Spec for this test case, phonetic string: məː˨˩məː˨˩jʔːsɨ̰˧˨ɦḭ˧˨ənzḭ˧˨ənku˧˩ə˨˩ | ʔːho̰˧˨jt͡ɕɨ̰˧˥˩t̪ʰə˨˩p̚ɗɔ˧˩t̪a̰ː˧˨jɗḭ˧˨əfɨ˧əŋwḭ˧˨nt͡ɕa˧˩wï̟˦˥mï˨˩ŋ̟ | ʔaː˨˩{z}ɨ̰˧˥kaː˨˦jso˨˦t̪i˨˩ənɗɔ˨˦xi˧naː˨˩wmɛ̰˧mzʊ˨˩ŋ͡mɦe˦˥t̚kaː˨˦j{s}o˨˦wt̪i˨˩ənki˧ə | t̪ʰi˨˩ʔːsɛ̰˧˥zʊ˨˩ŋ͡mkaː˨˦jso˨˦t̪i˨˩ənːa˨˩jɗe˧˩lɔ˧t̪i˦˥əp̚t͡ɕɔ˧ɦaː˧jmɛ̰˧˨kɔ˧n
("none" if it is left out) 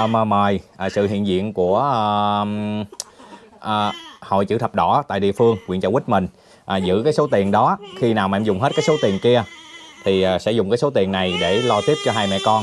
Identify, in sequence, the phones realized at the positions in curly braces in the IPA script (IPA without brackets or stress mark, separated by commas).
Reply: z, s